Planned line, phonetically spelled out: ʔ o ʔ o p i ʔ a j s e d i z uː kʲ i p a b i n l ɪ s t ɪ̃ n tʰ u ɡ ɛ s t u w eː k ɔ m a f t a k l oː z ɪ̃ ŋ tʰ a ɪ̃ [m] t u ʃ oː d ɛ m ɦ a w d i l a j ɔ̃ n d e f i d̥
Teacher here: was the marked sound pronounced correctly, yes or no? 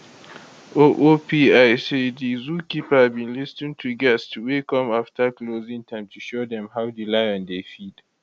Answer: yes